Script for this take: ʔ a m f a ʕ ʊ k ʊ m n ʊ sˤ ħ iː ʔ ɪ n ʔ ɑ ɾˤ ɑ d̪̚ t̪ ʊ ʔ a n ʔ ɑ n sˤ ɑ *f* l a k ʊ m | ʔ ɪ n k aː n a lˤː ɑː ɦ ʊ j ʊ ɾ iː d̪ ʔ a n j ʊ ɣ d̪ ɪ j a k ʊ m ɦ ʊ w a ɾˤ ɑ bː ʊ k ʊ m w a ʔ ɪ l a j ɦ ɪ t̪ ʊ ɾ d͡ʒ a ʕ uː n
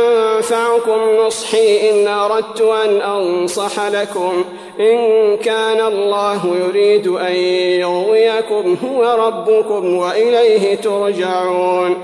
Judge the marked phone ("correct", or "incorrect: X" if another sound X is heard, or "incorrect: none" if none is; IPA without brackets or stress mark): incorrect: ħ